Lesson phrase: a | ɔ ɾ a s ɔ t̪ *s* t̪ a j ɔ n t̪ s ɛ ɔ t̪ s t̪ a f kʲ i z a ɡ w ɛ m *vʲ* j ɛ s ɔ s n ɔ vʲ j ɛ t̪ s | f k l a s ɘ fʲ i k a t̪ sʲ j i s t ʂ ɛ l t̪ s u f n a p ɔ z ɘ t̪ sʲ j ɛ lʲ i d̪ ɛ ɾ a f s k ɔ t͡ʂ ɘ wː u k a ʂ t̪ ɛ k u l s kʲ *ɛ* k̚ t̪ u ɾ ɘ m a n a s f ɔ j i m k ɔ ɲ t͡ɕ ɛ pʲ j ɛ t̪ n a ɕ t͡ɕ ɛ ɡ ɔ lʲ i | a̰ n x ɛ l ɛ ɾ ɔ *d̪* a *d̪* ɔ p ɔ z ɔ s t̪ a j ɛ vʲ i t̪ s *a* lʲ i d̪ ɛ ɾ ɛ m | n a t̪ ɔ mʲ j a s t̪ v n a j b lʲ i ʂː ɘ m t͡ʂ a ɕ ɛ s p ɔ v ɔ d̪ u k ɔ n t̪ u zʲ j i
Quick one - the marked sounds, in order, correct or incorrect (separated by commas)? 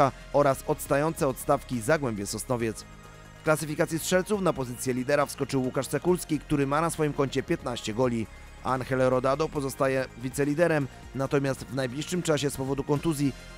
correct, incorrect, incorrect, correct, correct, incorrect